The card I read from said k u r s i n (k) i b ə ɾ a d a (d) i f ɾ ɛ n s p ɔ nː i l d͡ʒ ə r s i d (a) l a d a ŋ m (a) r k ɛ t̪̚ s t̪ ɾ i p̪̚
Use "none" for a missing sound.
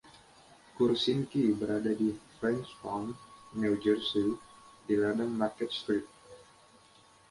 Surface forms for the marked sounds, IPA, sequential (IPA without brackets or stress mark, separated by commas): k, d, i, a